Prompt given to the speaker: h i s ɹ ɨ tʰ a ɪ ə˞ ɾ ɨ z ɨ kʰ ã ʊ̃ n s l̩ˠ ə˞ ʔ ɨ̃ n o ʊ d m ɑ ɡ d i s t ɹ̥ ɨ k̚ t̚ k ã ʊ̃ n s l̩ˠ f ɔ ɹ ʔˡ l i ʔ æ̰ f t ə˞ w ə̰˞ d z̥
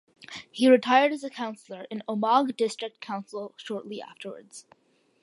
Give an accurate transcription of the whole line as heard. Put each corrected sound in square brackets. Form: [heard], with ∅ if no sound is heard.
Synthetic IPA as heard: h i [∅] ɹ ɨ tʰ a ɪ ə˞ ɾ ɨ z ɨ kʰ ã ʊ̃ n s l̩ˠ ə˞ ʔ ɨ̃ n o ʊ [∅] m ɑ ɡ d [ɪ] s t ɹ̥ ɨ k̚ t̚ [kʰ] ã ʊ̃ n s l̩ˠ [ʃ] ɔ ɹ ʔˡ l i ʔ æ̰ f t ə˞ w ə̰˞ d z̥